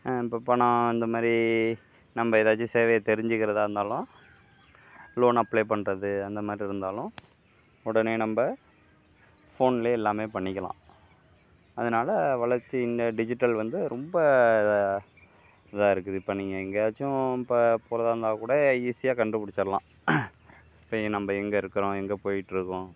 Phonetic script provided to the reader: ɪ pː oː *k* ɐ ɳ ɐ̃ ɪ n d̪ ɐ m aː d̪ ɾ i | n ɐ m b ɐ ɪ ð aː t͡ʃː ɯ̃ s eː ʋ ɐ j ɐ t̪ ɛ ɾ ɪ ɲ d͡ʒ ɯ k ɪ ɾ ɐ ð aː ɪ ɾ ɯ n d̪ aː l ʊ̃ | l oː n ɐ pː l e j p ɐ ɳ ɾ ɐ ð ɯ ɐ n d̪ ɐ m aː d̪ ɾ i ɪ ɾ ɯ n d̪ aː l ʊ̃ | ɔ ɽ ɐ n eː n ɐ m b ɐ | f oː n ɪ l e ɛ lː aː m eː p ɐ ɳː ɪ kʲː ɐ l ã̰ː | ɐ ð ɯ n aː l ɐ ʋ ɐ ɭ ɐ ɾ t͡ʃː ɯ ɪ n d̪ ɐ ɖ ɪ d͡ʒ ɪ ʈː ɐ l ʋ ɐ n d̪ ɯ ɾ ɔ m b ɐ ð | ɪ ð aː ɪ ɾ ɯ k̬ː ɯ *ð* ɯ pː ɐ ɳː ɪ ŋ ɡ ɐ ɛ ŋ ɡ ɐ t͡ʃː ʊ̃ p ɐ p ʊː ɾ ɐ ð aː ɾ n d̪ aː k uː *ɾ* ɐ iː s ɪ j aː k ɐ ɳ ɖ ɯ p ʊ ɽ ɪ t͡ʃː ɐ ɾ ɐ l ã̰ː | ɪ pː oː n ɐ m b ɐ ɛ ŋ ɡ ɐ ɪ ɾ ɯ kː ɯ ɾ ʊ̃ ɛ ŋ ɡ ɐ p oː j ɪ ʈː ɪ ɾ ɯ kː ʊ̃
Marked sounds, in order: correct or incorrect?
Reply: incorrect, correct, incorrect

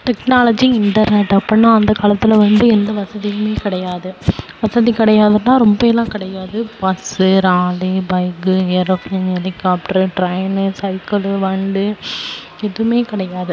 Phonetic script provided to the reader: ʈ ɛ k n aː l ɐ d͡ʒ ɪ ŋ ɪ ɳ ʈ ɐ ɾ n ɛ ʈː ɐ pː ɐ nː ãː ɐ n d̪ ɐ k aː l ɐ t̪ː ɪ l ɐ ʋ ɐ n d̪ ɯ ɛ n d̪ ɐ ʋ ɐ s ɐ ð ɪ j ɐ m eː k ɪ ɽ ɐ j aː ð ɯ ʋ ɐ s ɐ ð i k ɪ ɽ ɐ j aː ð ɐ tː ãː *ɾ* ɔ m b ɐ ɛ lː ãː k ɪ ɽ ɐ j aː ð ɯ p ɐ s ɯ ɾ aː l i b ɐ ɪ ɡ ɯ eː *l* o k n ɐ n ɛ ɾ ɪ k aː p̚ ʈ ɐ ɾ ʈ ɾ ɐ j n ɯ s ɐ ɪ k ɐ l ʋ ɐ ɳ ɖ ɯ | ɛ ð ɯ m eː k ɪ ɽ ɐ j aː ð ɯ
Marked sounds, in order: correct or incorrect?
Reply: correct, incorrect

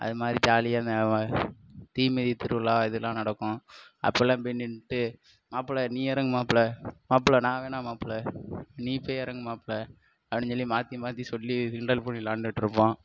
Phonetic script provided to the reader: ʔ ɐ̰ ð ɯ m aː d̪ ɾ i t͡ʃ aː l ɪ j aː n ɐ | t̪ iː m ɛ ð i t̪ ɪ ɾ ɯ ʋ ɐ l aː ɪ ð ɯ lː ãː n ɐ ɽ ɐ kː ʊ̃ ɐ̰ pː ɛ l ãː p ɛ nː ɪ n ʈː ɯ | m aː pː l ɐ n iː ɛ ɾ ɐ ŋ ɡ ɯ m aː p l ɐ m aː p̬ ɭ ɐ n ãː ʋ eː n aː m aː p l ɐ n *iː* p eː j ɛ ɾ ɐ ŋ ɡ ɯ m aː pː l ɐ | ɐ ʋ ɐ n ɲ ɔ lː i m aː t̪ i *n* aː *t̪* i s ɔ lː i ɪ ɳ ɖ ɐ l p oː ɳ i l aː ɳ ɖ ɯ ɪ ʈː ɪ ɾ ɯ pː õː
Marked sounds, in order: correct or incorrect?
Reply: correct, incorrect, correct

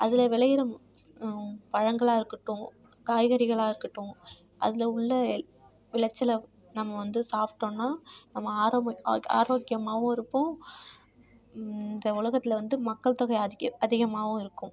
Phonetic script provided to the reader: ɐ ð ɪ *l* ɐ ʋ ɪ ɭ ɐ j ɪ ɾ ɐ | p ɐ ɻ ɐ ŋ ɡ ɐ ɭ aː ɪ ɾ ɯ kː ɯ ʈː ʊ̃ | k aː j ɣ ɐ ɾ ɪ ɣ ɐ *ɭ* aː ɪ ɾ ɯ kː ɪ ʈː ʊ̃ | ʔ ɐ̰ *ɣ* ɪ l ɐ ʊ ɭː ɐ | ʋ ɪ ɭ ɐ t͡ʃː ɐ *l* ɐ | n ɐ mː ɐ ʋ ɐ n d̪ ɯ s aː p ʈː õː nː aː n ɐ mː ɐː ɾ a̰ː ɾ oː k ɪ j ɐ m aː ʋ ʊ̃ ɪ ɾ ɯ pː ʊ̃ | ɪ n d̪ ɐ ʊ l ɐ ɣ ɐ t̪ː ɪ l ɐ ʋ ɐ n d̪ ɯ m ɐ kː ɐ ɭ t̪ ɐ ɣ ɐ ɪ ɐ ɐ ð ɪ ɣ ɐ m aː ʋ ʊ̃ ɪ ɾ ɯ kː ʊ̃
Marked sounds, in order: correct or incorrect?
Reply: correct, correct, incorrect, correct

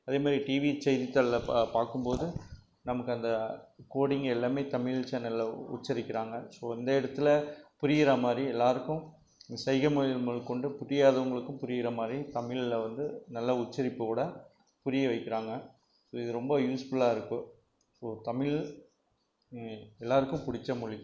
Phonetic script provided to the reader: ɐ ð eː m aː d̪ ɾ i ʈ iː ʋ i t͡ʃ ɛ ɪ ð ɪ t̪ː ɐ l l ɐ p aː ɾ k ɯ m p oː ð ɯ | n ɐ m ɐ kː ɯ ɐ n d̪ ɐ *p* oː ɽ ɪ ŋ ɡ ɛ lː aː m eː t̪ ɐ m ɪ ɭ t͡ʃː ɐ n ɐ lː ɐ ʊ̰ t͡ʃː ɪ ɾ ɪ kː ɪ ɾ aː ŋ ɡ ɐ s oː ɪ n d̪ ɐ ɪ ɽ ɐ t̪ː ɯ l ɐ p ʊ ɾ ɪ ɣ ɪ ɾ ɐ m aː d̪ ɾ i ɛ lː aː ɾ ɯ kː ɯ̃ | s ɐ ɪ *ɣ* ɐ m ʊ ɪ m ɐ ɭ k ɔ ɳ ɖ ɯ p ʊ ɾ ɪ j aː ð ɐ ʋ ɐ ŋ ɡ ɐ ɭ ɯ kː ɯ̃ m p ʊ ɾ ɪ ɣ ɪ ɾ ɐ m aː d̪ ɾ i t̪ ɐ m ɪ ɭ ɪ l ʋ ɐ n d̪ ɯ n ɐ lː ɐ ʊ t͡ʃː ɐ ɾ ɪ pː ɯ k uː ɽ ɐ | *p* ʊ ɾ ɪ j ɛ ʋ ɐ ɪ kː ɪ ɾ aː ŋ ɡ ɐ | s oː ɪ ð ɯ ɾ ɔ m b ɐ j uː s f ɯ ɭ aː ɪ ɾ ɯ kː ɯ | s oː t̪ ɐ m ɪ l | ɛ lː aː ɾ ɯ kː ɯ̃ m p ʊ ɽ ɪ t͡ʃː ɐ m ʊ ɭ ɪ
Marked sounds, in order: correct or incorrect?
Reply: incorrect, correct, correct

